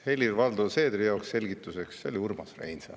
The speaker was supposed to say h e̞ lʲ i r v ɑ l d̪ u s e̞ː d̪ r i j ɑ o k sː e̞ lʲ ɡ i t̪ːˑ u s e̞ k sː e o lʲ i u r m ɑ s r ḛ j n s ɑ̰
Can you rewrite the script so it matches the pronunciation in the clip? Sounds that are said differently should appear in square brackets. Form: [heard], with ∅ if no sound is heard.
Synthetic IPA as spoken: h e̞ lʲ i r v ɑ l d̪ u s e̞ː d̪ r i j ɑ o k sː e̞ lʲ ɡ i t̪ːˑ u s e̞ k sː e o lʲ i u r m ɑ s r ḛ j n s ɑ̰